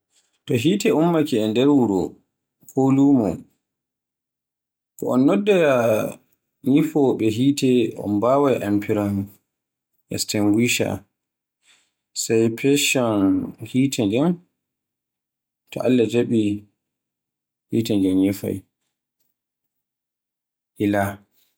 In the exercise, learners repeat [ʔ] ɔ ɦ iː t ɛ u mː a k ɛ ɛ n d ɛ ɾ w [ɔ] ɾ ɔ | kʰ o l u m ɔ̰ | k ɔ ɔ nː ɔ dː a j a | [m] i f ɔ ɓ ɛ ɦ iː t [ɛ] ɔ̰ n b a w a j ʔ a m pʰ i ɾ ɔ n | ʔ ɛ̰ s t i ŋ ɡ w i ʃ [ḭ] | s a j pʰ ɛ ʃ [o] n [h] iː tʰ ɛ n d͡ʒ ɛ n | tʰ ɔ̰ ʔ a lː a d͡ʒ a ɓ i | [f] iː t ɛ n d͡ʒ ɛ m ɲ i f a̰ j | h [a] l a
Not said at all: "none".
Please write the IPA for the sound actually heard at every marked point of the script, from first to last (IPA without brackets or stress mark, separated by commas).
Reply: t, u, ɲ, ɛ, a̰, ɔ, h, h, i